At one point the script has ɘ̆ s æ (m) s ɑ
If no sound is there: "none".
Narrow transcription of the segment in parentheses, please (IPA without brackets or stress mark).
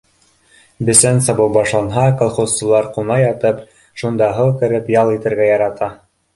n